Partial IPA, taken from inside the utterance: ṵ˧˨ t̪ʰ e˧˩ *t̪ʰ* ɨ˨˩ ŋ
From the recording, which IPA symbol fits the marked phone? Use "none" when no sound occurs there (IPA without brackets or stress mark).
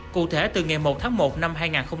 t̪